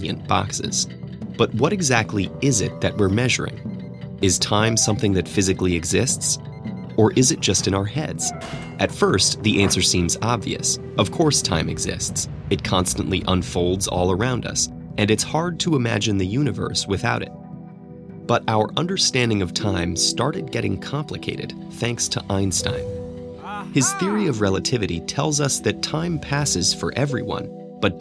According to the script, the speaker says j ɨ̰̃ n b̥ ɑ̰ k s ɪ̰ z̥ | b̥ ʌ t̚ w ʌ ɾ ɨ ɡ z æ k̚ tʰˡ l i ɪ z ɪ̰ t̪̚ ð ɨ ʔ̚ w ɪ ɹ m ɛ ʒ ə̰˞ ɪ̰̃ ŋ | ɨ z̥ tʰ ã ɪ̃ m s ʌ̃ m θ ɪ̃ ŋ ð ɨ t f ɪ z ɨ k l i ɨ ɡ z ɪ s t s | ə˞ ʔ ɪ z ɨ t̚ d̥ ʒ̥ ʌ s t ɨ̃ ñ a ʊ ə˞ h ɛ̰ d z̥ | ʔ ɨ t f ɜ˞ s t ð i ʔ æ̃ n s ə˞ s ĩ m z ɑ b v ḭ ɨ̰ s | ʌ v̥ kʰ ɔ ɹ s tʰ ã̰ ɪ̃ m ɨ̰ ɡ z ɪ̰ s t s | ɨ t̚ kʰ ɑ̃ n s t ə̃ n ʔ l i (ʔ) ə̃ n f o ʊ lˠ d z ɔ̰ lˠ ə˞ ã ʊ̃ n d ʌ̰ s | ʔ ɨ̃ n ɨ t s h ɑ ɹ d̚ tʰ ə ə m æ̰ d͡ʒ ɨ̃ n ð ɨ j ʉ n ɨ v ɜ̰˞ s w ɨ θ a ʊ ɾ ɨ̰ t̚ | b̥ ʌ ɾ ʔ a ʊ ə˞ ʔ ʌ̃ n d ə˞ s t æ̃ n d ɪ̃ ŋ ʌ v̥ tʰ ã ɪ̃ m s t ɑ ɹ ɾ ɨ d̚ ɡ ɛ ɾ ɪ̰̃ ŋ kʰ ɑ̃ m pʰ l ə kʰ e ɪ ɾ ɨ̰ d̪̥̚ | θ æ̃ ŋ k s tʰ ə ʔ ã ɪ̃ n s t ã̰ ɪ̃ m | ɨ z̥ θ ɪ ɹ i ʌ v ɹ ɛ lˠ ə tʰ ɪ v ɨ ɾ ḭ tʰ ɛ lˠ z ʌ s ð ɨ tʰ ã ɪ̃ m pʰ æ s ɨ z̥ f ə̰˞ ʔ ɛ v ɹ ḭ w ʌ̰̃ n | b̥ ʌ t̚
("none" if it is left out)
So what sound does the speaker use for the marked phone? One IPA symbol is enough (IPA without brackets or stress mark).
ʔ